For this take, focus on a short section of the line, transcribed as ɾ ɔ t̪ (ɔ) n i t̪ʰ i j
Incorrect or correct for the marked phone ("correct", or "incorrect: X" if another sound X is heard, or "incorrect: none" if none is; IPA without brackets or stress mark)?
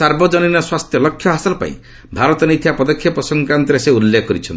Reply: correct